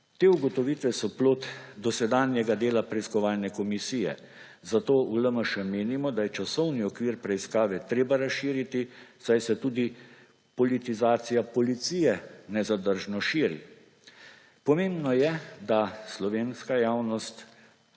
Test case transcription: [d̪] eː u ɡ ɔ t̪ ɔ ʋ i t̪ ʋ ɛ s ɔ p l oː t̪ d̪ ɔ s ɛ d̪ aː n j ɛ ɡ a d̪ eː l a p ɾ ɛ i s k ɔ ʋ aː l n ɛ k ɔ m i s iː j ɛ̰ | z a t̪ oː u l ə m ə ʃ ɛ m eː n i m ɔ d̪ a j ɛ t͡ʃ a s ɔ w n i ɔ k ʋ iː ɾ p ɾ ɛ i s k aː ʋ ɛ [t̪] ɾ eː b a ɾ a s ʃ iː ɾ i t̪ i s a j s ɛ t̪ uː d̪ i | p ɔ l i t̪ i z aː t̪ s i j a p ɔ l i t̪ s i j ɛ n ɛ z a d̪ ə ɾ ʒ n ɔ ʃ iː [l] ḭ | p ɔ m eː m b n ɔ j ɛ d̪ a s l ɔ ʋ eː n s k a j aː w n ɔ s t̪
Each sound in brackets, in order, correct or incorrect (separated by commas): incorrect, correct, incorrect